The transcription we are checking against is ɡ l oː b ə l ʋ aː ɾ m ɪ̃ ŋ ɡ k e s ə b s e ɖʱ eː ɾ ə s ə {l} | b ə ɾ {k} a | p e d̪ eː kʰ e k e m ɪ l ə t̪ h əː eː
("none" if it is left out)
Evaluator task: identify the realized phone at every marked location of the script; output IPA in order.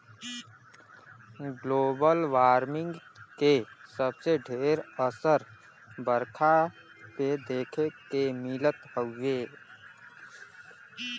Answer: ɾ, kʰ

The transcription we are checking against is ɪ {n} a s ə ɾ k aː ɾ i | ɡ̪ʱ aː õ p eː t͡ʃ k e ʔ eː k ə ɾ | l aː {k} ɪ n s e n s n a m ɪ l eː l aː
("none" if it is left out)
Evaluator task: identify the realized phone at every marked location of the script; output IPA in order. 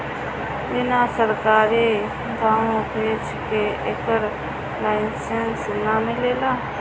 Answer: n, none

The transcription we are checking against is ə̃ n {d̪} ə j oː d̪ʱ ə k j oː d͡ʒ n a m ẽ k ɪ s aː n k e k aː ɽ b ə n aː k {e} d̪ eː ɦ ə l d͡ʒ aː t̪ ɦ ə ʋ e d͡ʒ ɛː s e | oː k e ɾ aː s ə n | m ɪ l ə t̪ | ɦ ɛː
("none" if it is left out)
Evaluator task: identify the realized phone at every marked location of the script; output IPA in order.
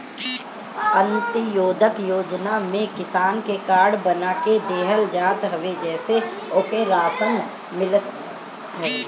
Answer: t̪, e

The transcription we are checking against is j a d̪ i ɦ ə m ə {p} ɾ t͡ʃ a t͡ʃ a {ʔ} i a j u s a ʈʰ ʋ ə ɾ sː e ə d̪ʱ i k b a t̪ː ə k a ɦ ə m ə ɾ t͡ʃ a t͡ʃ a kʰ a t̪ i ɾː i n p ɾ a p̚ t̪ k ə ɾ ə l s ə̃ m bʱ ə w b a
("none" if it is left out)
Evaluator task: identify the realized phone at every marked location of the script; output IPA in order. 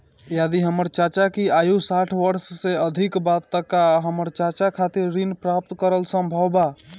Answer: none, k

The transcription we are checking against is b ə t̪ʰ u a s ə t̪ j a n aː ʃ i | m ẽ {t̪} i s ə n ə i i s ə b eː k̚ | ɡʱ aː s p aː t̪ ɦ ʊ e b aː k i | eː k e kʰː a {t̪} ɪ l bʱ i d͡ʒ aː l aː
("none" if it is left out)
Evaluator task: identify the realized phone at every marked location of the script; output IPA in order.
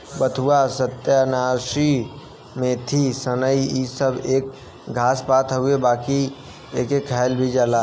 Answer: t̪ʰ, none

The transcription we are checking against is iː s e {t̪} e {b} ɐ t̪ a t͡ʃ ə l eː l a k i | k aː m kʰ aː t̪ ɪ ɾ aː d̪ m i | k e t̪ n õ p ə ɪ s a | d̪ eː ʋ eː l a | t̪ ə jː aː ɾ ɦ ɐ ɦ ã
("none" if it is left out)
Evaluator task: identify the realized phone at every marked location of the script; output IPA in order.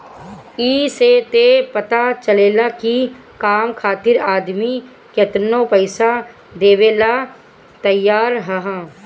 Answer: t̪, p

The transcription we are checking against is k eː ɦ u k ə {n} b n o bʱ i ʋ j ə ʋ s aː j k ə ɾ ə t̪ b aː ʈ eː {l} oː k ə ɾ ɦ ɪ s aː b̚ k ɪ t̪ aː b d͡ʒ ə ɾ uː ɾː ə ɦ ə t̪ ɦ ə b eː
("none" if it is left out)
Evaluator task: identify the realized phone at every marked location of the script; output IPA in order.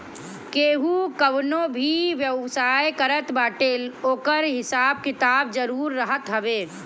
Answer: none, l

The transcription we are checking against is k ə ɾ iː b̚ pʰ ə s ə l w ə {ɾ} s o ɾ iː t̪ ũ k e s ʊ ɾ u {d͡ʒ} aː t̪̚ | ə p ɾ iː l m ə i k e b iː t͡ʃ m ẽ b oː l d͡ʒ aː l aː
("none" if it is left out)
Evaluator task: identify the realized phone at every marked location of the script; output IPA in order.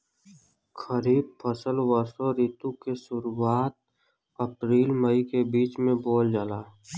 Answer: ɾ, none

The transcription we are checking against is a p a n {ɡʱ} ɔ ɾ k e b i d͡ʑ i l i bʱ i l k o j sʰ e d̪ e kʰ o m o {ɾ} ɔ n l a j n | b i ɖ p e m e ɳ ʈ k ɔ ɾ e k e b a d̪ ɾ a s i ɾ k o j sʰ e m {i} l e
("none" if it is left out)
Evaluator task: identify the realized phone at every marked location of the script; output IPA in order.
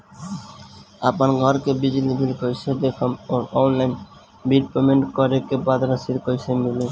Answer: ɡʱ, ɾ, i

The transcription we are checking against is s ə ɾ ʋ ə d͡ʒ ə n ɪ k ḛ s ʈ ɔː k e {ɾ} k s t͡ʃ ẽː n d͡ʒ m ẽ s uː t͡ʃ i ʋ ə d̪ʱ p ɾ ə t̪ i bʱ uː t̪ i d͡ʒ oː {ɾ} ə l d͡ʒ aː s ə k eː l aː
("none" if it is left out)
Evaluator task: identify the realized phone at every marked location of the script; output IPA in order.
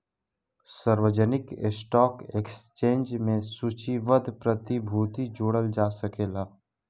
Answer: none, ɽ

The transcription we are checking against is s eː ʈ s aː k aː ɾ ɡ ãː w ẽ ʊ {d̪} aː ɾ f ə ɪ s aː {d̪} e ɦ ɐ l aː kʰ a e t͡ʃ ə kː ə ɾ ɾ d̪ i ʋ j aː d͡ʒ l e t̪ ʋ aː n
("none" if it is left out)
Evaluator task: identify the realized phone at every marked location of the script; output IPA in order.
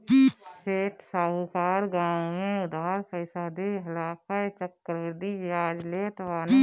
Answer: d̪, d̪

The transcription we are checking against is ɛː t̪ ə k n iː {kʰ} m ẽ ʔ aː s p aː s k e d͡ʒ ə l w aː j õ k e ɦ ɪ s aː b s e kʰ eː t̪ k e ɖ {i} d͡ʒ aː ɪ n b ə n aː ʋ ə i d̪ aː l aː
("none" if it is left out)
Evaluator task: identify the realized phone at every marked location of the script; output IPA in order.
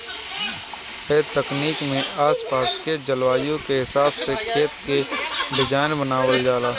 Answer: k, ɪ

